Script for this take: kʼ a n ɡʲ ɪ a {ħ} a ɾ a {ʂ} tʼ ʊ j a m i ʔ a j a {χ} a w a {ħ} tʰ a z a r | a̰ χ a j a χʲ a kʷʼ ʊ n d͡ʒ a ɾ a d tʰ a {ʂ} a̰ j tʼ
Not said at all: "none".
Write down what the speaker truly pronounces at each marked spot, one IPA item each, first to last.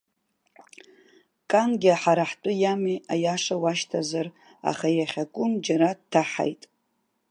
ħ, ħ, ʂ, ʃ, ħ

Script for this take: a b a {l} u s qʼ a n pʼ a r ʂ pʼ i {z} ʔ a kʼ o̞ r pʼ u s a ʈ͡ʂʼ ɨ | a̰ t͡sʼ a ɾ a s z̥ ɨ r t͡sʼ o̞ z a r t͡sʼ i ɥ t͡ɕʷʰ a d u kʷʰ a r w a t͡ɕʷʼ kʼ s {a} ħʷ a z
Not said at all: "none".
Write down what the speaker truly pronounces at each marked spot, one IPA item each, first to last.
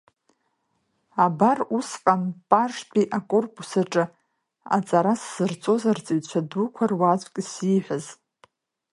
r, none, i

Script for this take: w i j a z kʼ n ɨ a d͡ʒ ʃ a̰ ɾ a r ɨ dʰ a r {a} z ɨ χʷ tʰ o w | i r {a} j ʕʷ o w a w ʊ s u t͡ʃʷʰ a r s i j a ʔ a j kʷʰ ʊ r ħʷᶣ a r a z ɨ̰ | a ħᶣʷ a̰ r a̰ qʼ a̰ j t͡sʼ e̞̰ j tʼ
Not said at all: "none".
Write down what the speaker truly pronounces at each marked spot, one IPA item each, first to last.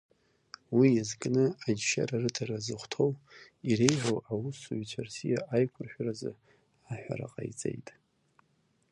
a, e

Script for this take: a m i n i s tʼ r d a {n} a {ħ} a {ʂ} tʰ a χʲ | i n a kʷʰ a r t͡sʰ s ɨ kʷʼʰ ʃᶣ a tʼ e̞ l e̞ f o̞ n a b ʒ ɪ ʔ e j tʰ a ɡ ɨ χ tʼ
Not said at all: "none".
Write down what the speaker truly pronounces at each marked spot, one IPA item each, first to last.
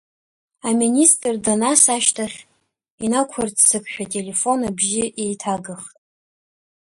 n, s, ʃ

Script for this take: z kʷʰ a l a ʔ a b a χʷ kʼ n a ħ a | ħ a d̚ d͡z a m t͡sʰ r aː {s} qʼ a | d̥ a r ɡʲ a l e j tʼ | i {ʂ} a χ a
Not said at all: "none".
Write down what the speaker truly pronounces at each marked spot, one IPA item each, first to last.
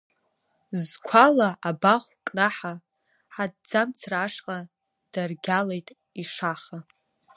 ʂ, ʂ

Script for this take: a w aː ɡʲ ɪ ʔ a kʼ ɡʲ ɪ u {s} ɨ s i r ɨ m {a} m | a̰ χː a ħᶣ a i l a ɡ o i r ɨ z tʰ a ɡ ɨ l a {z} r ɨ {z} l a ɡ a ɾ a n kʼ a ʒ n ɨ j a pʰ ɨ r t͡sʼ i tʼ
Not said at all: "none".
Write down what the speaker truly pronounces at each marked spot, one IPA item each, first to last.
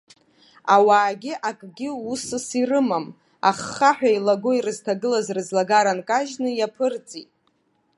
s, a, z, z

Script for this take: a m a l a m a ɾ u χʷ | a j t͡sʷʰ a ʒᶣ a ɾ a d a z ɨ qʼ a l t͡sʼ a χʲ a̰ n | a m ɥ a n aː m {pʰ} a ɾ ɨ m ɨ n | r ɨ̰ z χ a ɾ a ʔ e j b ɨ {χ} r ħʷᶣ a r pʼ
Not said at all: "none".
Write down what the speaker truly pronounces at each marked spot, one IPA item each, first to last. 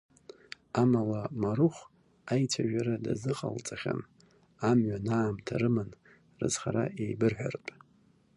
tʰ, none

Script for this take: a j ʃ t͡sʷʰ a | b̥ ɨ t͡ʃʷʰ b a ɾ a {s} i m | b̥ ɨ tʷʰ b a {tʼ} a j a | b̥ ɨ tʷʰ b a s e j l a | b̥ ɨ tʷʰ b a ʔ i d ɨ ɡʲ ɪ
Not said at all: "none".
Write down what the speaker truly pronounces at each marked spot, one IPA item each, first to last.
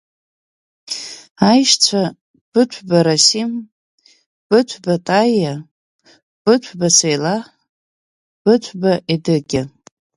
s, tʼ

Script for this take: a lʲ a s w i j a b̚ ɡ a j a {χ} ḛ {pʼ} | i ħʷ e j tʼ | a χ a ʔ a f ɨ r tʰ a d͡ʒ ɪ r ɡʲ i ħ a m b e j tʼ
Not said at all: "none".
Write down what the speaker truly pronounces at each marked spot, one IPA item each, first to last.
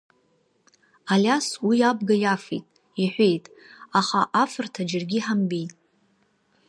f, tʼ

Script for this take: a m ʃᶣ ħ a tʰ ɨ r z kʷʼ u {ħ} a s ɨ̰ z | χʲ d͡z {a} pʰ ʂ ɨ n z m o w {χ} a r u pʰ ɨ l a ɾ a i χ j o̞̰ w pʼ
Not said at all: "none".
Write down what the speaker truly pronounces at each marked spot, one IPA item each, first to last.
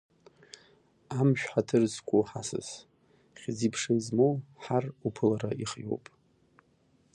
ħ, i, ħ

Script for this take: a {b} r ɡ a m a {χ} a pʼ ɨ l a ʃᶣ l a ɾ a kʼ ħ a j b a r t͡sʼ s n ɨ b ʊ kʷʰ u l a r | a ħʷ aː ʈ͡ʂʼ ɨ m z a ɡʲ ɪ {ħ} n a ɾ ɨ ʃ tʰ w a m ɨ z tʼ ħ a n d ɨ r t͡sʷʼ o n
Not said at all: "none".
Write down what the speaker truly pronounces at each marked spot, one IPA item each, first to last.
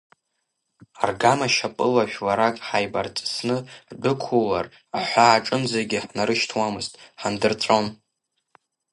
none, ʃ, ħ

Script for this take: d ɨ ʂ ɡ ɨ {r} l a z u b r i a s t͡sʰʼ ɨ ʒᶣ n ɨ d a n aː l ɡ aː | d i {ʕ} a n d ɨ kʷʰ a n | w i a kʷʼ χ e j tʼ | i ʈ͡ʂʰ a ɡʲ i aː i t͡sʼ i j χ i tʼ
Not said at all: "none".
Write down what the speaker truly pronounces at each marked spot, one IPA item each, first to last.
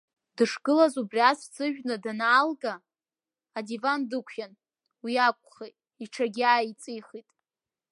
none, v

